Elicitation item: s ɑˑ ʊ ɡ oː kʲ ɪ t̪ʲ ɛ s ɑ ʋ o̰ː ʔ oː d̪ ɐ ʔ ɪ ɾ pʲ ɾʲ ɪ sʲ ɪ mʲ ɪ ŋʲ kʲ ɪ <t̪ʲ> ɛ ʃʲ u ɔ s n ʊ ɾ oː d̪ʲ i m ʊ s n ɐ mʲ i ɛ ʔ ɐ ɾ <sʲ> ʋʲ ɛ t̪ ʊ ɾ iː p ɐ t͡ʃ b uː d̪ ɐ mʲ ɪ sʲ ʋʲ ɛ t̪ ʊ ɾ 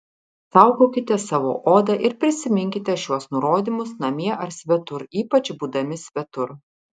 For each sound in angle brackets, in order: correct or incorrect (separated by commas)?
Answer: correct, correct